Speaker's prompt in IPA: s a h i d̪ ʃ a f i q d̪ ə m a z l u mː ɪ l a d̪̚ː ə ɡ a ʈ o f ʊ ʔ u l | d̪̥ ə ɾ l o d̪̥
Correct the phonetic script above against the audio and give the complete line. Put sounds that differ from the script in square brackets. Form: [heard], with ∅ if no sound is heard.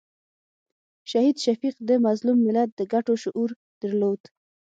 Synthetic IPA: [ʃ] a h i d̪ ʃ a f i q d̪ ə m a z l u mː ɪ l a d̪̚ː ə ɡ a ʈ o [ʃ] ʊ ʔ u [ɾ] | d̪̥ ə ɾ l o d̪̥